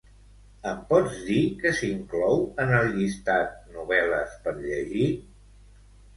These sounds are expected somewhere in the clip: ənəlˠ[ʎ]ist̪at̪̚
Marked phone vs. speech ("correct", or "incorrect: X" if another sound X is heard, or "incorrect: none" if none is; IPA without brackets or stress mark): correct